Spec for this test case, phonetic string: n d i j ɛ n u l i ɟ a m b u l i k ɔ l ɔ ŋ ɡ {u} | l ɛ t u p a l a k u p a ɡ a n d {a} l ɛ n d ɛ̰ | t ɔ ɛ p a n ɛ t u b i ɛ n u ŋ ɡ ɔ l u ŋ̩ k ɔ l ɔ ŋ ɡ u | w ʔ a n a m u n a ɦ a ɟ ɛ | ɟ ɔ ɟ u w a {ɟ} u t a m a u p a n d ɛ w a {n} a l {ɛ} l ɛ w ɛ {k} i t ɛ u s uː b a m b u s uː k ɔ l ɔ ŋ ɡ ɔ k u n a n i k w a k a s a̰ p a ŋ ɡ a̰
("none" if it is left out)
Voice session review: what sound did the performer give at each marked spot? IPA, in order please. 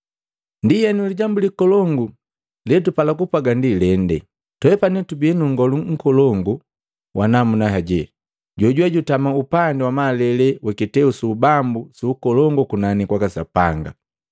u, i, ɟ, m, ɛ, k

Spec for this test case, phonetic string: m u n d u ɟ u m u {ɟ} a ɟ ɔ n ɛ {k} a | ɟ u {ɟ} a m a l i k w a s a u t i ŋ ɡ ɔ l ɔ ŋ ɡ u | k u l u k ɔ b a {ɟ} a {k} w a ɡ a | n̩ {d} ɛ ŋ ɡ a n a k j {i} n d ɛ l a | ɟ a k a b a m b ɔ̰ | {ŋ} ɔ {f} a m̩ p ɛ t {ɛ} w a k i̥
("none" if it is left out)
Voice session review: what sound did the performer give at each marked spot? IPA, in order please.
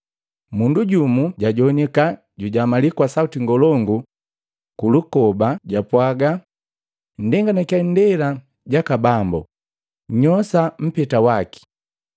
ɟ, k, ɟ, ɟ, p, d, a, ɲ, s, a

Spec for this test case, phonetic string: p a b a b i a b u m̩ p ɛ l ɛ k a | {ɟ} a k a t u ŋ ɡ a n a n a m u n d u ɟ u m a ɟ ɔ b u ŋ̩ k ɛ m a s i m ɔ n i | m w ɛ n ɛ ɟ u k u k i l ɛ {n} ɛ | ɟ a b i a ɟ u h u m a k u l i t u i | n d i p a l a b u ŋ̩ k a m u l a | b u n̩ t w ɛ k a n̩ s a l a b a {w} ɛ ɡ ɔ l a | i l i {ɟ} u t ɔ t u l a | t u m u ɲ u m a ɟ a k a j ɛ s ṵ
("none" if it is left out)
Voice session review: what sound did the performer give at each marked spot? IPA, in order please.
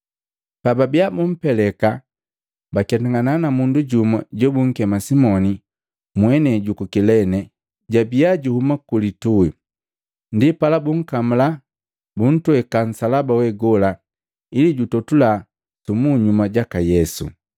b, n, w, ɟ

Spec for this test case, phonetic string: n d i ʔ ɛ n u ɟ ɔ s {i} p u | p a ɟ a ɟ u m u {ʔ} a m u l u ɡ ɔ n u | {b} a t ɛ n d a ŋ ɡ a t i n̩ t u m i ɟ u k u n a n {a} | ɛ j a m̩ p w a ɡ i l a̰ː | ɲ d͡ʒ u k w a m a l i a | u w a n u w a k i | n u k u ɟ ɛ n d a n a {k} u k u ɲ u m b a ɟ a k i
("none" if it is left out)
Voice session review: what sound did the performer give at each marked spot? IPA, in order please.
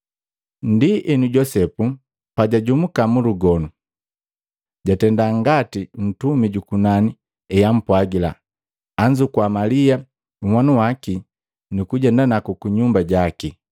ɛ, k, ɟ, i, k

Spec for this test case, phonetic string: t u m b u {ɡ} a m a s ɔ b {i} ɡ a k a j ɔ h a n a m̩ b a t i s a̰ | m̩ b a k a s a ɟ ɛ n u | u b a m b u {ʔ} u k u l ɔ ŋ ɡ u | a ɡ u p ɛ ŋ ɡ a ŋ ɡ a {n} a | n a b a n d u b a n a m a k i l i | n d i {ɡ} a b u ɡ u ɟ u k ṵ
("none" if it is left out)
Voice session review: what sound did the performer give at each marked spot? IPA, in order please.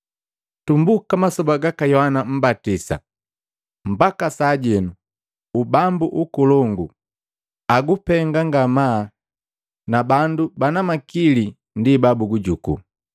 k, a, ʔ, m, b

